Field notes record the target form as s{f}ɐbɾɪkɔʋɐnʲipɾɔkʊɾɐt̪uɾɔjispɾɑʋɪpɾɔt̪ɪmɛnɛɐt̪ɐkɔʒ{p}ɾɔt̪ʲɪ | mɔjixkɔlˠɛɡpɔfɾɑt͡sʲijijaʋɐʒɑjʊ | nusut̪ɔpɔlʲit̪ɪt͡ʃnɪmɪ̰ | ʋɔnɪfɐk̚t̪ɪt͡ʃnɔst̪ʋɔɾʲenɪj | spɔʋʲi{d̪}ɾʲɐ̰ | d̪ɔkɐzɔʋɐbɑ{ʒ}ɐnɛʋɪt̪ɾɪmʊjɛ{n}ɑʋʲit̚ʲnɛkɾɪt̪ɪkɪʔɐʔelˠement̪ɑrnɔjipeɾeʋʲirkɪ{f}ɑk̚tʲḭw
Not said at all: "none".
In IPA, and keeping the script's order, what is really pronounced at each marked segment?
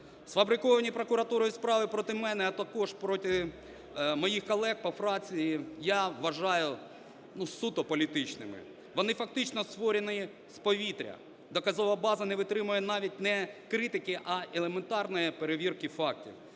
f, p, t̪, z, n, f

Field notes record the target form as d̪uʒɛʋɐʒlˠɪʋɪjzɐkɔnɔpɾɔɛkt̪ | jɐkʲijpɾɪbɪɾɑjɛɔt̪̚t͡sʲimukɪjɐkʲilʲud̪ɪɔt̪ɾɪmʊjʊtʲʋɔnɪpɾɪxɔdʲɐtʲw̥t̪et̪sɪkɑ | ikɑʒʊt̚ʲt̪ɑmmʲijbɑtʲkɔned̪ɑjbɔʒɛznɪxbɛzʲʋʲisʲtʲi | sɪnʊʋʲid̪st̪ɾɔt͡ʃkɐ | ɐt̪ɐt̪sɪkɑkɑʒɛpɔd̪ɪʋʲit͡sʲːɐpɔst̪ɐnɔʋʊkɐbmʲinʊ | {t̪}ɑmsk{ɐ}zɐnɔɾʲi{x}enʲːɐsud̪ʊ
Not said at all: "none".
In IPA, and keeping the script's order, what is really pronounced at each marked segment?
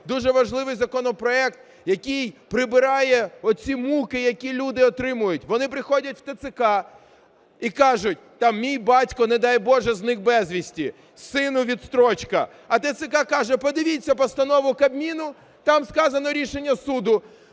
t̪, ɑ, ʃ

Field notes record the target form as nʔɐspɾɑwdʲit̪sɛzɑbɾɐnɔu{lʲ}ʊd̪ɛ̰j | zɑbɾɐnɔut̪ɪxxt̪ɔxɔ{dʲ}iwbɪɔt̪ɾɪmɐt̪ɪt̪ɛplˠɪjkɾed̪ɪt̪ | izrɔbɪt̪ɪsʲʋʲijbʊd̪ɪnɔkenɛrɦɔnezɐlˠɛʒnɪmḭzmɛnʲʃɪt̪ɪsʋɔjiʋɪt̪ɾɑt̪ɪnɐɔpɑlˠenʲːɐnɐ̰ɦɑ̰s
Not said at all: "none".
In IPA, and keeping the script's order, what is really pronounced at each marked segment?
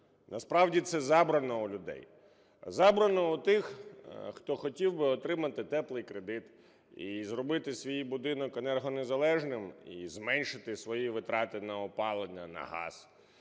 lʲ, tʲ

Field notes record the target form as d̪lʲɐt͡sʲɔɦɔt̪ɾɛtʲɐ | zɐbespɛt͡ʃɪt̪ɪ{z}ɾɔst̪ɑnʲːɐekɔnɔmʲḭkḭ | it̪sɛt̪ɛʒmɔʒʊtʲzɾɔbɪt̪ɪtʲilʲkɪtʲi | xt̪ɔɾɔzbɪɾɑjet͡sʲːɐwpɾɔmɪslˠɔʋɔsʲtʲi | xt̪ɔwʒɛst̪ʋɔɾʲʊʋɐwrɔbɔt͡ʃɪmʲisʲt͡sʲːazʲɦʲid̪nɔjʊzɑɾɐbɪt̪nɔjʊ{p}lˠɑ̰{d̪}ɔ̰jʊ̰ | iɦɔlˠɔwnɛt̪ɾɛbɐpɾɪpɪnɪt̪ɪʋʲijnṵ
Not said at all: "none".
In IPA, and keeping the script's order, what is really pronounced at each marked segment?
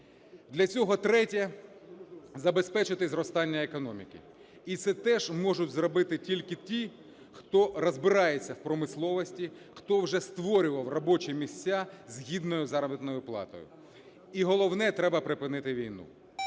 z, p, t̪

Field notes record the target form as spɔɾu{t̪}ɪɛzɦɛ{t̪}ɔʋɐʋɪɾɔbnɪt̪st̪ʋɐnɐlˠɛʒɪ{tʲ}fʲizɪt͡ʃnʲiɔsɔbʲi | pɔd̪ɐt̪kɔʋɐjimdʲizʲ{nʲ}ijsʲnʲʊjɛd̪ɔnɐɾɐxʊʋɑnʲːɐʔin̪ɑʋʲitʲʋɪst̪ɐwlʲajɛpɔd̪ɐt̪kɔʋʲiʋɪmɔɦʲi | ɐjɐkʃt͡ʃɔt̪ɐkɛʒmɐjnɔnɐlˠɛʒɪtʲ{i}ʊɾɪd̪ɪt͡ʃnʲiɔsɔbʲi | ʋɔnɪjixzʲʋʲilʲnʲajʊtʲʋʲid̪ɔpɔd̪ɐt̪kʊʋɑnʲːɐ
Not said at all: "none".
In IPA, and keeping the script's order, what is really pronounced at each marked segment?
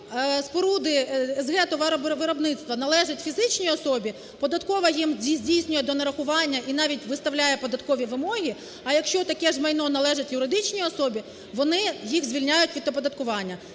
d̪, t̪, tʲ, dʲ, j

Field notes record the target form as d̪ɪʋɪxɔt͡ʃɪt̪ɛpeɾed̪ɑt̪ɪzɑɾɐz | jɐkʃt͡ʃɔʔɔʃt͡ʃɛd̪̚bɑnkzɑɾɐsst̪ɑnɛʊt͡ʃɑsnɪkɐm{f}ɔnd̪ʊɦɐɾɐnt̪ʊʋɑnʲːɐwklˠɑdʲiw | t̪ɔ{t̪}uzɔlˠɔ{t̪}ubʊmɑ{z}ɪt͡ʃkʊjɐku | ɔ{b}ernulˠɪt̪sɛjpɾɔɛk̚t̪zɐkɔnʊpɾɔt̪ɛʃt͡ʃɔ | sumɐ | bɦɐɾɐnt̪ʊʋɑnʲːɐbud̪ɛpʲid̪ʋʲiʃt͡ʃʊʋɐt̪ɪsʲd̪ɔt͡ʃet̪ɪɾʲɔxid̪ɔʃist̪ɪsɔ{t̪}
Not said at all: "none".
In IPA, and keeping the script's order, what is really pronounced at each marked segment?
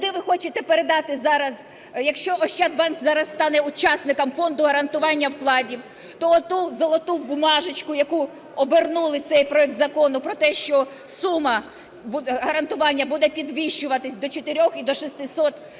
f, t̪, t̪, ʒ, b, t̪

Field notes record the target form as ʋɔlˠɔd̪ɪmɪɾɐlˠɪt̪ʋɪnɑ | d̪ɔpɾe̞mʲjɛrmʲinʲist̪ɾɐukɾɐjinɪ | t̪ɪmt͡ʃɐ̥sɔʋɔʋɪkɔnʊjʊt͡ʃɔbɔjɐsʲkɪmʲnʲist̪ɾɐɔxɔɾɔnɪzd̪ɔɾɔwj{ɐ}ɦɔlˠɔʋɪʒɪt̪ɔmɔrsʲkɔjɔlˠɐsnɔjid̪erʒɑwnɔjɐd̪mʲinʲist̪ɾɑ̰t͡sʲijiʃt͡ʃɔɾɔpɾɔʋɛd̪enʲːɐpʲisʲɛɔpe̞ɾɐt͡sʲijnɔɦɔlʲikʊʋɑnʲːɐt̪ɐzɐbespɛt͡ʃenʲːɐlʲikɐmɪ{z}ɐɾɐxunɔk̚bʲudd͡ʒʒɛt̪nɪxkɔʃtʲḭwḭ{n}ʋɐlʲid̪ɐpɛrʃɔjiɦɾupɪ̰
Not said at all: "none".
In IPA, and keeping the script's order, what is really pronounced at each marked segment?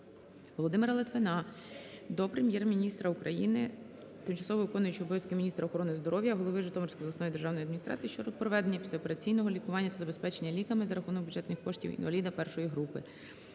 ɐ, z, n

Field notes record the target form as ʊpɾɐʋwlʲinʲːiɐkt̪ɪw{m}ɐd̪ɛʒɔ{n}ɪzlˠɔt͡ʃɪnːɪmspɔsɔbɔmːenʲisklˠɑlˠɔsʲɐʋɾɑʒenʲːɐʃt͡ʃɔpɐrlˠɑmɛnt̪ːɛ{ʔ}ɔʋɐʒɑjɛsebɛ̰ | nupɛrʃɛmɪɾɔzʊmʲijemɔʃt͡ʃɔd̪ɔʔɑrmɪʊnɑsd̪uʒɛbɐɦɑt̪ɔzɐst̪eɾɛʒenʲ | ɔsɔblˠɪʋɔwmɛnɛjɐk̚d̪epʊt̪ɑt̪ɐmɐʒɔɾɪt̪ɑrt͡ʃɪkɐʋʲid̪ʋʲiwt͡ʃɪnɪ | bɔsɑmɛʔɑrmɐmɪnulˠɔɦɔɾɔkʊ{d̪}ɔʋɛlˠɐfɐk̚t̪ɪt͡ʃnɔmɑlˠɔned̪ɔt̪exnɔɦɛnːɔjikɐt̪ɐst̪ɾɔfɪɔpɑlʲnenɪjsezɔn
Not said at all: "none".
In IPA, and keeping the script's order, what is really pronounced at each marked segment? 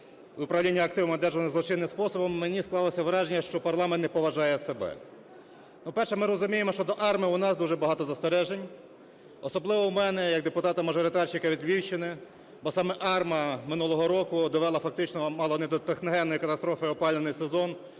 m, n, p, d̪

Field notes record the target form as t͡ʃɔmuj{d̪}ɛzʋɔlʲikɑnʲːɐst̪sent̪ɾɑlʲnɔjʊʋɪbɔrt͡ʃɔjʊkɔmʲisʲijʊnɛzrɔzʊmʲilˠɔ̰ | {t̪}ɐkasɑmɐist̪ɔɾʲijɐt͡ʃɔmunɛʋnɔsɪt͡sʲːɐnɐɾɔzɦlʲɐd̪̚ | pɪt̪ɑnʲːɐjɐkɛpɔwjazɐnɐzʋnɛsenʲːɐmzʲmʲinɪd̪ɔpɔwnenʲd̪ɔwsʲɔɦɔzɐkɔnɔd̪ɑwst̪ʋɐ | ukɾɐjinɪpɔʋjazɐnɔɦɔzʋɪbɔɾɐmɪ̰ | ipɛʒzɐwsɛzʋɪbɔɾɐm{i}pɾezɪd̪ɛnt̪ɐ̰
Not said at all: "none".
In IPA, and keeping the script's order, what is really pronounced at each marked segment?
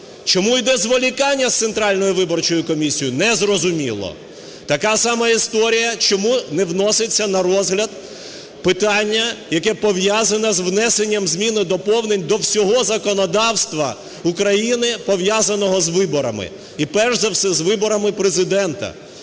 d̪, t̪, ɪ

